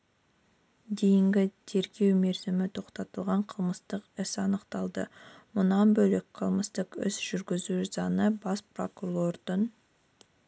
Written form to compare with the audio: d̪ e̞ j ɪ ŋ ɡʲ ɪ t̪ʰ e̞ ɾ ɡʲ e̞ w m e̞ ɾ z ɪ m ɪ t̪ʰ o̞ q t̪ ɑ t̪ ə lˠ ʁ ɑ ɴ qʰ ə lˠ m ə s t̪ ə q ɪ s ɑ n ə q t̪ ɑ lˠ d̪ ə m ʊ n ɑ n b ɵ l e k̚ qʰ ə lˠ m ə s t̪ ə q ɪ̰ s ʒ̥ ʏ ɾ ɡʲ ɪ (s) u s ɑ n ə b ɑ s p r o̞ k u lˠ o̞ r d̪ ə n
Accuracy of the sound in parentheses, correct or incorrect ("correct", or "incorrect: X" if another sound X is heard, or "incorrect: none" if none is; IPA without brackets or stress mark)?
incorrect: z